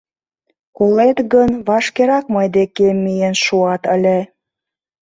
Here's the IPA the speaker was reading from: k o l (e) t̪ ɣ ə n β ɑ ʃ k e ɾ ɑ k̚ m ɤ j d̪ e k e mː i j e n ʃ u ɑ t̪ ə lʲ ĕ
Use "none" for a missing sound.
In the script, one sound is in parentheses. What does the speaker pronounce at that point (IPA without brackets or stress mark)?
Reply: e